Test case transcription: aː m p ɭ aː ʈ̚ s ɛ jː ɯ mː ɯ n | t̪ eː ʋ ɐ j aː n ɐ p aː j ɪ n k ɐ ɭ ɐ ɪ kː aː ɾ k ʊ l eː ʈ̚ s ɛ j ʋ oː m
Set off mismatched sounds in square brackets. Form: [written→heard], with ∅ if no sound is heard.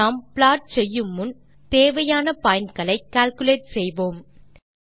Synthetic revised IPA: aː m p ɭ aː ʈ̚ s ɛ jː ɯ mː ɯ n | t̪ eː ʋ ɐ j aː n ɐ p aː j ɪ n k ɐ ɭ ɐ ɪ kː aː [ɾ→l] k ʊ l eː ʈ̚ s ɛ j ʋ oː m